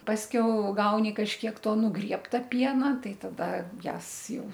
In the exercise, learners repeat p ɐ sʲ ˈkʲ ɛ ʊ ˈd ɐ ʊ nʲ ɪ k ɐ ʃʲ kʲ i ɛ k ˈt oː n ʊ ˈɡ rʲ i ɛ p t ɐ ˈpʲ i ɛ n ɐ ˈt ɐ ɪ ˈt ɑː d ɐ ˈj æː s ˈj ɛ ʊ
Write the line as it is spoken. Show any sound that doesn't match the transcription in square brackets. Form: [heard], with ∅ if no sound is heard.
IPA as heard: p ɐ sʲ ˈkʲ ɛ ʊ [ˈɡ] ɐ ʊ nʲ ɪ k ɐ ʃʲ kʲ i ɛ k ˈt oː n ʊ ˈɡ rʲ i ɛ p t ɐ ˈpʲ i ɛ n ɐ ˈt ɐ ɪ ˈt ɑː d ɐ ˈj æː s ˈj ɛ ʊ